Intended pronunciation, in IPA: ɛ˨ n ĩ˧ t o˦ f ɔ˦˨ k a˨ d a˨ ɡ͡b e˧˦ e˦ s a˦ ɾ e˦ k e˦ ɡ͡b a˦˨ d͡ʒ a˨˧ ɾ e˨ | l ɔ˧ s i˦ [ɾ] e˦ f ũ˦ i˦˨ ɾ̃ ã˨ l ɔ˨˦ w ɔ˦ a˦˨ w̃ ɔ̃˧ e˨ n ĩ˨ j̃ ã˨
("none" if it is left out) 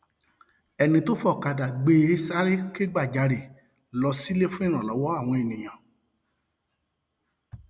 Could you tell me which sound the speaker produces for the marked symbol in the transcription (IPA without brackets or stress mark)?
l